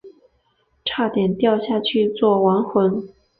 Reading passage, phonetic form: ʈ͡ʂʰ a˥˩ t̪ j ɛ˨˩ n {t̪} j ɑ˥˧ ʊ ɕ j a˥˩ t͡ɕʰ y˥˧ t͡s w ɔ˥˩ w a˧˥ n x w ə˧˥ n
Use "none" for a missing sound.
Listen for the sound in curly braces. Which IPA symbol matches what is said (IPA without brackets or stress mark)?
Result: t̪